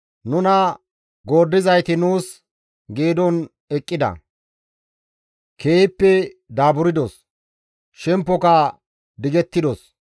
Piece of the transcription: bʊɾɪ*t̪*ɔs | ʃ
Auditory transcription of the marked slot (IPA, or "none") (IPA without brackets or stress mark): d̪